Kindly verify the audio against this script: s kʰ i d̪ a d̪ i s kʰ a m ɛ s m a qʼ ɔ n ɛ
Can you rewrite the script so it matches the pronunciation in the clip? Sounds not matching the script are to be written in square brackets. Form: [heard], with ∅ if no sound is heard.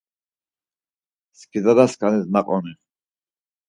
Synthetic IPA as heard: s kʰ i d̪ a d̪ [a] s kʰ a [n] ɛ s [n] a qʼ ɔ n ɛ